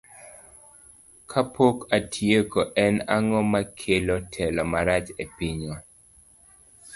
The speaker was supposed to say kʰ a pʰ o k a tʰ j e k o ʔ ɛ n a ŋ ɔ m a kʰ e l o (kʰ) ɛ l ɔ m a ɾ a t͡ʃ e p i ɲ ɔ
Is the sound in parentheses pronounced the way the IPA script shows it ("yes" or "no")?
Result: no